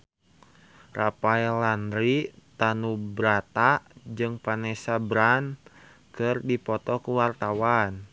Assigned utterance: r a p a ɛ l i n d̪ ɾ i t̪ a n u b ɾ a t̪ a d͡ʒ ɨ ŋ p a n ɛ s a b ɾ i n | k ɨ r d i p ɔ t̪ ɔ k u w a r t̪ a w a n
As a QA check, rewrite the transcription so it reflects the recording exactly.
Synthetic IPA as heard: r a p a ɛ l a n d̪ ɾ i t̪ a n u b ɾ a t̪ a d͡ʒ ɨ ŋ p a n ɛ s a b ɾ a n | k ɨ r d i p ɔ t̪ ɔ k u w a r t̪ a w a n